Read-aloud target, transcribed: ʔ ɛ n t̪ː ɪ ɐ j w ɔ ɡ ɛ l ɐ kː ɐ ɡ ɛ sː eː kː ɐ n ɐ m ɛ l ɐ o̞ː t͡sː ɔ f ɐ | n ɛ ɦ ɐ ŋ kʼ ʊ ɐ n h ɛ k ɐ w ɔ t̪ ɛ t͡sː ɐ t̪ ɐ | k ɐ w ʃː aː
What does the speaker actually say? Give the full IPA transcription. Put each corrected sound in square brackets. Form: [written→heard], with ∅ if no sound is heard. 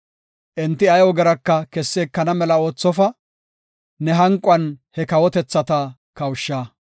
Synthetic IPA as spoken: ʔ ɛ n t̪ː ɪ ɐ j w ɔ ɡ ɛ [l→ɾ] ɐ kː ɐ [ɡ→k] ɛ sː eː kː ɐ n ɐ m ɛ l ɐ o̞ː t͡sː ɔ f ɐ | n ɛ ɦ ɐ ŋ kʼ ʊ ɐ n h ɛ k ɐ w ɔ t̪ ɛ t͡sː ɐ t̪ ɐ | k ɐ w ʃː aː

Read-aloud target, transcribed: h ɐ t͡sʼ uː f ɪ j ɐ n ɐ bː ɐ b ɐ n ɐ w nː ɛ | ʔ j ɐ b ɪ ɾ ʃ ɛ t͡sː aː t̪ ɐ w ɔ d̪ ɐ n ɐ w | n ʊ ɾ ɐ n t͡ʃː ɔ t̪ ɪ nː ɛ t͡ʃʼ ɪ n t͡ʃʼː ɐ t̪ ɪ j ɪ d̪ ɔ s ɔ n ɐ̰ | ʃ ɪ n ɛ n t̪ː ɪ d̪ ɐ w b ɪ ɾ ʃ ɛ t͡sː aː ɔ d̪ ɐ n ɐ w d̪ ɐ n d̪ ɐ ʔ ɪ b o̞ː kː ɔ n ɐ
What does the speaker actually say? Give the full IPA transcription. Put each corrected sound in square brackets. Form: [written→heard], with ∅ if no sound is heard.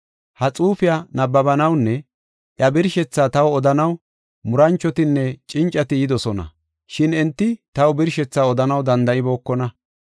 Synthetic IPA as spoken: h ɐ t͡sʼ uː f ɪ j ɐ n ɐ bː ɐ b ɐ n ɐ w nː ɛ | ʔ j ɐ b ɪ ɾ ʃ ɛ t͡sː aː t̪ ɐ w ɔ d̪ ɐ n ɐ w | [n→m] ʊ ɾ ɐ n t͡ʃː ɔ t̪ ɪ nː ɛ t͡ʃʼ ɪ n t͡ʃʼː ɐ t̪ ɪ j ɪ d̪ ɔ s ɔ n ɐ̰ | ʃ ɪ n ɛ n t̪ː ɪ [d̪→t̪] ɐ w b ɪ ɾ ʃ ɛ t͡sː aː ɔ d̪ ɐ n ɐ w d̪ ɐ n d̪ ɐ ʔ ɪ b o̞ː kː ɔ n ɐ

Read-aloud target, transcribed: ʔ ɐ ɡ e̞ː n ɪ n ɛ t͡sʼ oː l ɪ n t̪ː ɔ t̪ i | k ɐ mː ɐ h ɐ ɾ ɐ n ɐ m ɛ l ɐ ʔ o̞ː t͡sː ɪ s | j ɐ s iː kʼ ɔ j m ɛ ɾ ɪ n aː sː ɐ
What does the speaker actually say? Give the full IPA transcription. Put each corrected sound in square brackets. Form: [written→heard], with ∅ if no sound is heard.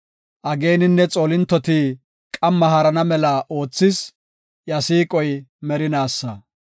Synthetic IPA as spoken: ʔ ɐ ɡ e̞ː n ɪ [n→nː] ɛ t͡sʼ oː l ɪ n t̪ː ɔ t̪ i | [k→kʼ] ɐ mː ɐ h ɐ ɾ ɐ n ɐ m ɛ l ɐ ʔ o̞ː t͡sː ɪ s | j ɐ s iː kʼ ɔ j m ɛ ɾ ɪ n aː sː ɐ

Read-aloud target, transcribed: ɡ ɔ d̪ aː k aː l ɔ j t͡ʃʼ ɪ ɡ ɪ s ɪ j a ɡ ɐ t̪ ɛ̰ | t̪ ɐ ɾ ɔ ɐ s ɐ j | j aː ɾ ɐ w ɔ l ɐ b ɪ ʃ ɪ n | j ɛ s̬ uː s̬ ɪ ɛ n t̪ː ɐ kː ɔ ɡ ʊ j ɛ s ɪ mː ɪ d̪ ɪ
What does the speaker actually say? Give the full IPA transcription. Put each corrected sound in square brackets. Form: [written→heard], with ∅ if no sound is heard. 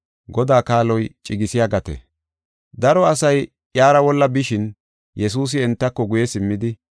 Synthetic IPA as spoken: ɡ ɔ d̪ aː k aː l ɔ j t͡ʃʼ ɪ ɡ ɪ s ɪ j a ɡ ɐ t̪ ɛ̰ | [t̪→d̪] ɐ ɾ ɔ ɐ s ɐ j | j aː ɾ ɐ w ɔ [l→lː] ɐ b ɪ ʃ ɪ n | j ɛ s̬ uː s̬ ɪ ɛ n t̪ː ɐ kː ɔ ɡ ʊ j ɛ s ɪ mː ɪ d̪ ɪ

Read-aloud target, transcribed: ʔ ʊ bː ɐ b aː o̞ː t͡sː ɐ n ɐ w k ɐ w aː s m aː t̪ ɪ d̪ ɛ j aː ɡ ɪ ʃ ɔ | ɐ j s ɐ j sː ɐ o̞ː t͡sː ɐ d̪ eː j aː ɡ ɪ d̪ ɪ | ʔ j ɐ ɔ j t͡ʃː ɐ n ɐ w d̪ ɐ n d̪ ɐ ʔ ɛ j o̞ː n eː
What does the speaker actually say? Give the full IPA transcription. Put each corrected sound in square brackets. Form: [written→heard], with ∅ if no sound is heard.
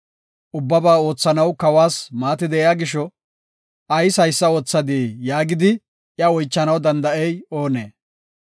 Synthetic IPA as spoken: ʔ ʊ bː ɐ b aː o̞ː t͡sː ɐ n ɐ w k ɐ w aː s m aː t̪ ɪ d̪ ɛ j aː ɡ ɪ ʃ ɔ | ɐ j s ɐ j sː ɐ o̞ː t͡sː ɐ d̪ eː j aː ɡ ɪ d̪ ɪ | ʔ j ɐ ɔ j t͡ʃː ɐ n ɐ w d̪ ɐ n d̪ ɐ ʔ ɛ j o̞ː n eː

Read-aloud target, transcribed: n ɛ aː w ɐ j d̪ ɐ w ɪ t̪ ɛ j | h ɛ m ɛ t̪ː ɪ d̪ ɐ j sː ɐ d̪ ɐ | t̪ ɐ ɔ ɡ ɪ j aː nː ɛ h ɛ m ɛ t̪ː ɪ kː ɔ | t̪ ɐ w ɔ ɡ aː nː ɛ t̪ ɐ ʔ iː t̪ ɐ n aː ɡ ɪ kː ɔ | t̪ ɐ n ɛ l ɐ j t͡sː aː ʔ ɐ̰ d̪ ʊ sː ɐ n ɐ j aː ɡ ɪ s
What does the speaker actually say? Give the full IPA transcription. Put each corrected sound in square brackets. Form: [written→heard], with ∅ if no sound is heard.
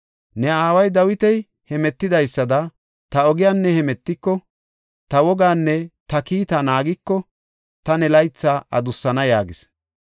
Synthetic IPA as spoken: n ɛ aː w ɐ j d̪ ɐ w ɪ t̪ ɛ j | h ɛ m ɛ t̪ː ɪ d̪ ɐ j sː ɐ d̪ ɐ | t̪ ɐ ɔ ɡ ɪ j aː nː ɛ h ɛ m ɛ t̪ː ɪ kː ɔ | t̪ ɐ w ɔ ɡ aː nː ɛ t̪ ɐ [ʔ→k] iː t̪ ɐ n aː ɡ ɪ kː ɔ | t̪ ɐ n ɛ l ɐ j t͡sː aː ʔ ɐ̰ d̪ ʊ sː ɐ n ɐ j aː ɡ ɪ s

